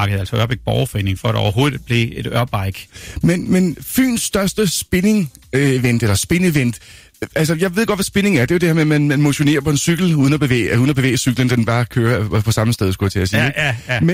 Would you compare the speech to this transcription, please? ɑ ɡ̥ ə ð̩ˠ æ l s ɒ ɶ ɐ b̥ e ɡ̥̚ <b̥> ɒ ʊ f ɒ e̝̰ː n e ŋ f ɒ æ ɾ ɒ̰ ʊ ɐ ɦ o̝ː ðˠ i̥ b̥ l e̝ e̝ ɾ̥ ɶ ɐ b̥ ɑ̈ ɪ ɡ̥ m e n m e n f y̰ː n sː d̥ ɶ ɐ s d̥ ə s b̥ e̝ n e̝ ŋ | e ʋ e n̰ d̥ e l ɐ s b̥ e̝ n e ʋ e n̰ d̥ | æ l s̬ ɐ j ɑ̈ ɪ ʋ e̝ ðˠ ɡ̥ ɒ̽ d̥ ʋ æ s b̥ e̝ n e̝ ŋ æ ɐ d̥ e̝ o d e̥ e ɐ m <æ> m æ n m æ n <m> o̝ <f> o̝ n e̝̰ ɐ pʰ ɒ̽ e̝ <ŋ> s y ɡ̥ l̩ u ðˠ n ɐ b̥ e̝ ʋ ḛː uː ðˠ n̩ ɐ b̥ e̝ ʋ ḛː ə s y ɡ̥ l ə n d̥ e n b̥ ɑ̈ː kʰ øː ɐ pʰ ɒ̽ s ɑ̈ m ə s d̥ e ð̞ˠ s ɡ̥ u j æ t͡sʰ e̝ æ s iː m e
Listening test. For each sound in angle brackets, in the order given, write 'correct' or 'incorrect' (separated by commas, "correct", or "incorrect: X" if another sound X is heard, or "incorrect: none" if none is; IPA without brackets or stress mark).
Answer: correct, incorrect: e, correct, incorrect: ɕ, incorrect: n